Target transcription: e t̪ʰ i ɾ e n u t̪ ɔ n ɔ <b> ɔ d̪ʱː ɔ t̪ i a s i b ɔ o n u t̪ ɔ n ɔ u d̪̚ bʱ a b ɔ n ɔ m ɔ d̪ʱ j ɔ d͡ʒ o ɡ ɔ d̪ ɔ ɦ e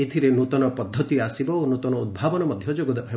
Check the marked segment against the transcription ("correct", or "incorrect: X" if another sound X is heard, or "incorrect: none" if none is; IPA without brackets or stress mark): incorrect: p